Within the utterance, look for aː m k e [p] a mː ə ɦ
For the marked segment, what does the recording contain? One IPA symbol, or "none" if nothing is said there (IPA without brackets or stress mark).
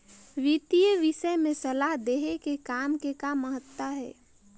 k